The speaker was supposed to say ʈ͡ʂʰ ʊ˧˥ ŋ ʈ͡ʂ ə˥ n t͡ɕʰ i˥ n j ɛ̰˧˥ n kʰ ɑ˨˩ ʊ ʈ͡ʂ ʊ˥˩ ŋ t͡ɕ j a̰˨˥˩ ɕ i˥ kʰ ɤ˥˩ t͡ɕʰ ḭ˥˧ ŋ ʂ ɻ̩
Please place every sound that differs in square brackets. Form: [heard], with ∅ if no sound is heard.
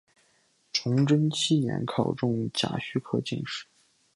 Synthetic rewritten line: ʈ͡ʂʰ ʊ˧˥ ŋ ʈ͡ʂ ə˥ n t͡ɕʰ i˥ n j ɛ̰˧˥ n kʰ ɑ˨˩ ʊ ʈ͡ʂ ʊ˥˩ ŋ t͡ɕ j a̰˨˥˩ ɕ [y˥] kʰ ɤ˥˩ [t͡ɕ] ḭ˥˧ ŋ ʂ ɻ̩